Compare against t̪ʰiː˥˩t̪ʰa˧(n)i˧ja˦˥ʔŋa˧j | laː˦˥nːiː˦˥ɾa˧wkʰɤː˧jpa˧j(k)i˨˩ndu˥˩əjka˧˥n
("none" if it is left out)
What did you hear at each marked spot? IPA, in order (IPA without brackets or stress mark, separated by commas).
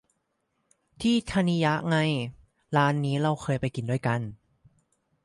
n, k